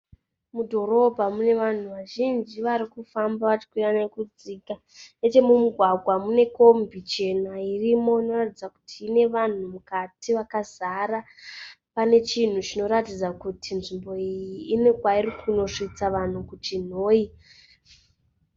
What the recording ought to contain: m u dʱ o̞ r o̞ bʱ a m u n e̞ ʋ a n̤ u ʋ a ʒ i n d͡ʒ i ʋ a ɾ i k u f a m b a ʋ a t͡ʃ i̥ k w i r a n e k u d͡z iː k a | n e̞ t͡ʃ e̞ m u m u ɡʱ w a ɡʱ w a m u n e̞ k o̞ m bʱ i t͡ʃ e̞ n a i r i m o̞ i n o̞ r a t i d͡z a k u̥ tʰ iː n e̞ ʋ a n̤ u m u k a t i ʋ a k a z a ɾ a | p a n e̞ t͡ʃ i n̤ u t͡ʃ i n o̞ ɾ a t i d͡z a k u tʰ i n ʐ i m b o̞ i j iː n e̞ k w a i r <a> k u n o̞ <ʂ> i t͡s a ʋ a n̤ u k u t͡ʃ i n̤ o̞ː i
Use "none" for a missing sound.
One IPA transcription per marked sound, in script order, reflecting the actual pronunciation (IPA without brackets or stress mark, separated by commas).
i, ʂ